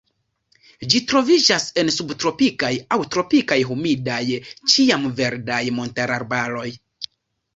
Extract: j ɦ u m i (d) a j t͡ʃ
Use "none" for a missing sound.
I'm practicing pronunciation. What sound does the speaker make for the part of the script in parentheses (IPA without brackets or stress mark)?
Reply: d